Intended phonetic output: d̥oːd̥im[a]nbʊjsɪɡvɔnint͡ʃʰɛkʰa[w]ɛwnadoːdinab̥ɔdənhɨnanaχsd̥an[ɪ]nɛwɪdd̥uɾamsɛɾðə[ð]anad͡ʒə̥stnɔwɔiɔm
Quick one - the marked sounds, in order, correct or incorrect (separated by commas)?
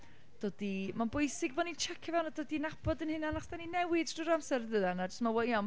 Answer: correct, incorrect, incorrect, correct